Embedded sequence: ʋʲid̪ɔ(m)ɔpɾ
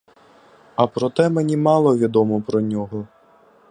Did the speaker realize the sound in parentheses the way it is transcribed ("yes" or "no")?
yes